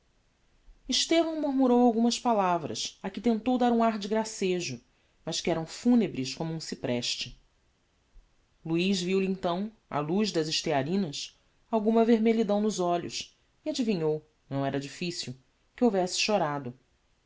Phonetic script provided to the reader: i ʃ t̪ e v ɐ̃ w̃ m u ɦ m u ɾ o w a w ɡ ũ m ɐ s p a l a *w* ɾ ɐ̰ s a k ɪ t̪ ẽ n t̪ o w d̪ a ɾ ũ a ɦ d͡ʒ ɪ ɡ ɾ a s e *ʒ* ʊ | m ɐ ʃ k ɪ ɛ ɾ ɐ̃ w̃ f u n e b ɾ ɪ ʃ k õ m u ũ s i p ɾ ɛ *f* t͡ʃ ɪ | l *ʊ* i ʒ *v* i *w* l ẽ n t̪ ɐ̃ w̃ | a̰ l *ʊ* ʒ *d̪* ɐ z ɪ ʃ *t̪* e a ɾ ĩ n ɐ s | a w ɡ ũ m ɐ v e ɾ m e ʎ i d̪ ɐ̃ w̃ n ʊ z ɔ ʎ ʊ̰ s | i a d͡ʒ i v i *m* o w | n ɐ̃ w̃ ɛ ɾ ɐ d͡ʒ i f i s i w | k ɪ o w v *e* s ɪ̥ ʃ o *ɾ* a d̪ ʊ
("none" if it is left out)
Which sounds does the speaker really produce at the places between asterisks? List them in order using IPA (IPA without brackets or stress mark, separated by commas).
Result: v, ʒ, ʃ, u, v, w, u, d̪, t̪, ɲ, ɛ, ɾ